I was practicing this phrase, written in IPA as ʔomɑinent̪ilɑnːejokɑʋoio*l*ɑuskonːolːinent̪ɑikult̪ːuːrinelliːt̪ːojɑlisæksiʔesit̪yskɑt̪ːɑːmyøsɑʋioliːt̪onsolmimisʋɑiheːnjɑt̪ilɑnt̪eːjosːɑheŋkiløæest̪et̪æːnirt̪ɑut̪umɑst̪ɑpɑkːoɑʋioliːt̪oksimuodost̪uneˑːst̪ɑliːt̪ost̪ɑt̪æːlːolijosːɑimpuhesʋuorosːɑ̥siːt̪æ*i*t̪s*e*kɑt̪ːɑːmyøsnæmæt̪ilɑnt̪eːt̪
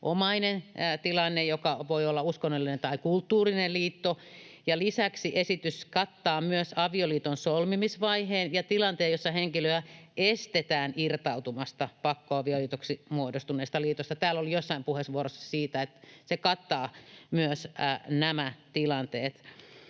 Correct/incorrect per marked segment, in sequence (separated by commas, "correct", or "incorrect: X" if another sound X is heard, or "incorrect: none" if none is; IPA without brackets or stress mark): incorrect: lː, incorrect: e, correct